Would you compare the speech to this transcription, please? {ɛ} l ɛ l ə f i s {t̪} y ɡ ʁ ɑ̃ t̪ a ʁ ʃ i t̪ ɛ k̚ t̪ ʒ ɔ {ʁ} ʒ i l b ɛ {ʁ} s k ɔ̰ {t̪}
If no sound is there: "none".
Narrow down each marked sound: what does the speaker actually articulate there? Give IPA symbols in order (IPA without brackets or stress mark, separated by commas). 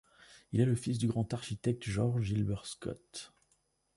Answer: i, d̪, ʁ, ʁ, t̪